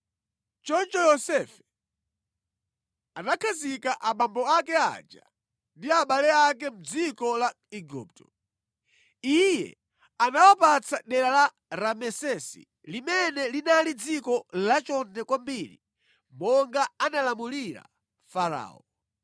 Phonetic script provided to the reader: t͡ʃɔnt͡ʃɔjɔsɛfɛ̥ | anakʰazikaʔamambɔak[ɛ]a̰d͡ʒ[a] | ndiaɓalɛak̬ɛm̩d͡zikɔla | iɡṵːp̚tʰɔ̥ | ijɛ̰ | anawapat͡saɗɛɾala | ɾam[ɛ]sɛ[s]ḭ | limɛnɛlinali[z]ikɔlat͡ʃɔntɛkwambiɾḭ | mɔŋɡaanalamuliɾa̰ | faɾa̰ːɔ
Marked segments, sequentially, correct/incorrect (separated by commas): correct, correct, correct, correct, incorrect